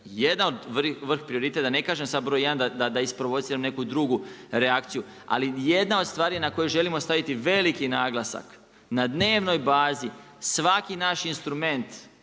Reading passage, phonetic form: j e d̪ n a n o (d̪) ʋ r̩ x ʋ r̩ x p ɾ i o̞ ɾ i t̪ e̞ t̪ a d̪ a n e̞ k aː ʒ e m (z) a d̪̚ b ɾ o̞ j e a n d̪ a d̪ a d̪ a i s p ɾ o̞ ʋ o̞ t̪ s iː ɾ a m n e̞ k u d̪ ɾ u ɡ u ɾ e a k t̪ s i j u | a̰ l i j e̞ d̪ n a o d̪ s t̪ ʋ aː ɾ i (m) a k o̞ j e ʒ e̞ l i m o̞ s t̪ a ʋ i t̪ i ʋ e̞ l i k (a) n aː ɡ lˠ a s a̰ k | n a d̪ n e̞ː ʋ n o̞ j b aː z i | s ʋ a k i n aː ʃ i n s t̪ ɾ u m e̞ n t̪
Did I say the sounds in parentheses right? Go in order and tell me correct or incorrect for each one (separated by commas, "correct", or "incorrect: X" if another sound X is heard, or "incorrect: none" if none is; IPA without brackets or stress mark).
correct, incorrect: s, incorrect: n, incorrect: i